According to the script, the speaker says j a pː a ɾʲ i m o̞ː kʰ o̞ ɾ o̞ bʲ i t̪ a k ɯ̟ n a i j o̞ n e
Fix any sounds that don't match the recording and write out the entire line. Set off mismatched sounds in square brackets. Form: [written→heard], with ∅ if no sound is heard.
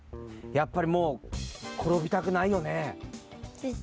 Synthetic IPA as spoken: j a pː a ɾʲ i m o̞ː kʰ o̞ ɾ o̞ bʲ i t̪ a k ɯ̟ n a i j o̞ n e